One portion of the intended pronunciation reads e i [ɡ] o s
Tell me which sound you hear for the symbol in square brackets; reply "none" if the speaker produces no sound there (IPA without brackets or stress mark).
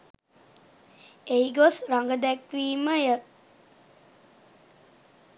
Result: ɡ